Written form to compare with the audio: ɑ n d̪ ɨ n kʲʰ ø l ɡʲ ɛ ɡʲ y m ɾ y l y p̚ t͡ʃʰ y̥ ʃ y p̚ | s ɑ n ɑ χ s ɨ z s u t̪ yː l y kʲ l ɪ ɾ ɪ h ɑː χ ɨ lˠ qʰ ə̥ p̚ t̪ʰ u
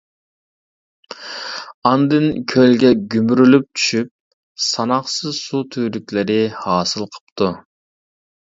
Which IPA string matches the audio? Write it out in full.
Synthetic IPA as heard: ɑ n d̪ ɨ n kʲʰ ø l ɡʲ ɛ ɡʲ y m ɾ y l y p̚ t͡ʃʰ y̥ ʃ y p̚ | s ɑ n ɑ χ s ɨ z s u t̪ʰ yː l y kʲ l ɪ ɾ ɪ h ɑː s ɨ lˠ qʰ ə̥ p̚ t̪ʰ u